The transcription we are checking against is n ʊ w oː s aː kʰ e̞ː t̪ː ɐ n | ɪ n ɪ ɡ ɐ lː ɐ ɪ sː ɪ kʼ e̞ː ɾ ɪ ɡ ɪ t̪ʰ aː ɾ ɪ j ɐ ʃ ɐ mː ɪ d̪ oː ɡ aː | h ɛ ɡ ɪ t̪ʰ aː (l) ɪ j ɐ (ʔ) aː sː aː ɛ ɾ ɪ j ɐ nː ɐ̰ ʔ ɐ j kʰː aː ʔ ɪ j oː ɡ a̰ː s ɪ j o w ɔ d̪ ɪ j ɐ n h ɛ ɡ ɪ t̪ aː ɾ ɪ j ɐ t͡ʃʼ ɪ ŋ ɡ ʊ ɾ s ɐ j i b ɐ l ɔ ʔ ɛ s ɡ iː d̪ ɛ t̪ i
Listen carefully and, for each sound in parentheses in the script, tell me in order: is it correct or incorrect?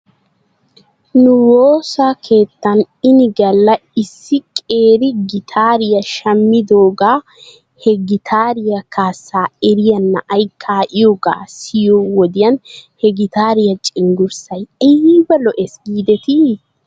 incorrect: ɾ, incorrect: k

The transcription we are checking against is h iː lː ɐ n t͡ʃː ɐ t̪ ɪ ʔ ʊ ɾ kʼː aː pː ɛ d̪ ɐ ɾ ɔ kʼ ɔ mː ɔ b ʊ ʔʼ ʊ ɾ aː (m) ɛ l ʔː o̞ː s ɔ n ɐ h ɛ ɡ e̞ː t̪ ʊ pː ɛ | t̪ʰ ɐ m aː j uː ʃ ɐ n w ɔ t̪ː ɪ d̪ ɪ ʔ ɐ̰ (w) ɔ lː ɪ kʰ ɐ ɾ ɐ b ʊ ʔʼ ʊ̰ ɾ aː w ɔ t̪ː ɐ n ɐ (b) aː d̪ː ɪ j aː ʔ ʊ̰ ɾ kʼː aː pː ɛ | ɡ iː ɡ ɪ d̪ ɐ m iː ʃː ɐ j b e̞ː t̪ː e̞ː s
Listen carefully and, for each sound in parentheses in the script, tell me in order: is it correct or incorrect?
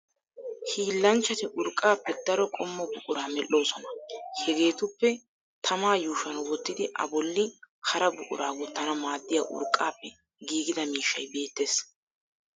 correct, incorrect: b, incorrect: m

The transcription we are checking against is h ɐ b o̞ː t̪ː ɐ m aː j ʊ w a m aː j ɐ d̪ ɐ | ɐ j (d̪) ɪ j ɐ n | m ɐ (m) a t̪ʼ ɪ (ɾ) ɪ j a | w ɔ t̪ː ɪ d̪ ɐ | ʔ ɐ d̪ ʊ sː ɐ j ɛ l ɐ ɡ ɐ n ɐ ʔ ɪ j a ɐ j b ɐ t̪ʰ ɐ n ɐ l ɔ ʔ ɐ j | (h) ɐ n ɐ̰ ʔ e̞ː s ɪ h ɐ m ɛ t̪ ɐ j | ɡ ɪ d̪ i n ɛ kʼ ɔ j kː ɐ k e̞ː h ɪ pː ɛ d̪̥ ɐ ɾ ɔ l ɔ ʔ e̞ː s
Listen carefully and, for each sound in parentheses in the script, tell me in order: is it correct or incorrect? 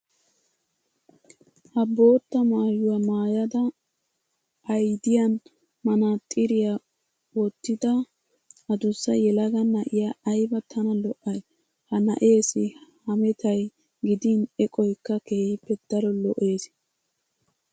correct, incorrect: n, correct, correct

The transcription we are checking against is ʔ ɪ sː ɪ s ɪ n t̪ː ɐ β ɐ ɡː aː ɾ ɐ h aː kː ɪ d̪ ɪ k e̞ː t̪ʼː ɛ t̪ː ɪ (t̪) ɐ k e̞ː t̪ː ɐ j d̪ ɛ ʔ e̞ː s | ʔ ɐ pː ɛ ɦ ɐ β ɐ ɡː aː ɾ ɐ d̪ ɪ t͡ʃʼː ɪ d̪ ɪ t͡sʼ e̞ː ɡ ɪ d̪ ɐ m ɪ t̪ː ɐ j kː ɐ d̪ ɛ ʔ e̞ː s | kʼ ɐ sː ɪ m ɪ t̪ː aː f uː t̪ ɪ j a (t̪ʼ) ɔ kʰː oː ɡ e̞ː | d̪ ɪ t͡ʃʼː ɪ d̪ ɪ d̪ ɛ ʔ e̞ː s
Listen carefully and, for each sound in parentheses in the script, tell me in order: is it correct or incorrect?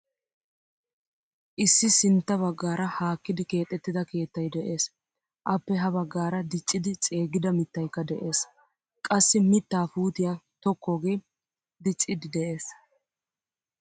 incorrect: d̪, incorrect: t̪

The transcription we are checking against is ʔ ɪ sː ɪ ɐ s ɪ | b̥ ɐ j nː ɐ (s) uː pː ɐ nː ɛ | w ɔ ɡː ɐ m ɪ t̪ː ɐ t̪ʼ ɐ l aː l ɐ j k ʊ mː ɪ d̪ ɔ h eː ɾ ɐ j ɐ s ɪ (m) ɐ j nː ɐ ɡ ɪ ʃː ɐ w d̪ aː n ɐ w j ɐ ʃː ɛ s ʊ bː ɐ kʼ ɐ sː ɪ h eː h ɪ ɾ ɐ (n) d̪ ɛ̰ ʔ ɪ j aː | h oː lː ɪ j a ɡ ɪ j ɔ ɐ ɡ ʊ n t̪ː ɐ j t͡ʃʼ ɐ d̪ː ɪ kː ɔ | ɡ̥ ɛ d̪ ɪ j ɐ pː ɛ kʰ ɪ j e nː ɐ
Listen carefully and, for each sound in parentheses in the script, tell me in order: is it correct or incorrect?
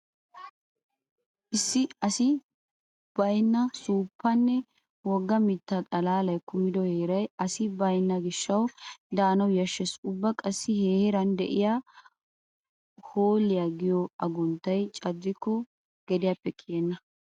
correct, incorrect: b, correct

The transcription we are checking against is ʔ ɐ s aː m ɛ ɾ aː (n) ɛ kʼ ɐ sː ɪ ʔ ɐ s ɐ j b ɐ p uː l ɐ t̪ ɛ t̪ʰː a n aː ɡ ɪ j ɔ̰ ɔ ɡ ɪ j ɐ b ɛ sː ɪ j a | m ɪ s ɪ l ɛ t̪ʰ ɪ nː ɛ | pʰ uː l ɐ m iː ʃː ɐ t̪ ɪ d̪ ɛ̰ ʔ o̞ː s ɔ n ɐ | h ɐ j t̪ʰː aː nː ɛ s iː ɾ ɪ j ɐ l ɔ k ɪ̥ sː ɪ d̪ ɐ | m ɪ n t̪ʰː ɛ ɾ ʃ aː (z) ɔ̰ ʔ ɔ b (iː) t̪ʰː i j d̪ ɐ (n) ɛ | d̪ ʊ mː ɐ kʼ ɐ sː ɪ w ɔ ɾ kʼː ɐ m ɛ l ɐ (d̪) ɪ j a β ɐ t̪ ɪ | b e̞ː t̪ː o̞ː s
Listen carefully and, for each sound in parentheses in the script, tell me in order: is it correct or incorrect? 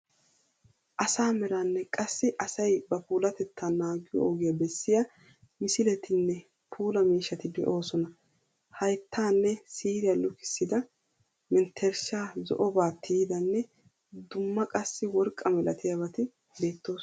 incorrect: nː, correct, incorrect: aː, incorrect: nː, incorrect: t̪

